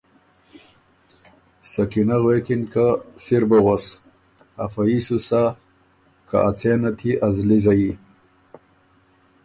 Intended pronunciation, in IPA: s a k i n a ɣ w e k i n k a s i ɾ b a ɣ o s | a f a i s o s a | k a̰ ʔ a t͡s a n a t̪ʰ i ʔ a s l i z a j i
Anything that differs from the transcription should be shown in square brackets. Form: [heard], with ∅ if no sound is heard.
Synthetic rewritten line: s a k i n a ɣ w e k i n k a s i ɾ b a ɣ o s | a f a i s [u] s a | k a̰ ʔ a t͡s [e] n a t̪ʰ i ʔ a [z] l i z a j i